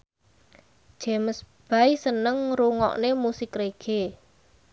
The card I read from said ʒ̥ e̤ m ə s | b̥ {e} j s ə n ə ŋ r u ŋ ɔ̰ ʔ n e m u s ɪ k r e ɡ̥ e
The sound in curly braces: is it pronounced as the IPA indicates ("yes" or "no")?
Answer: no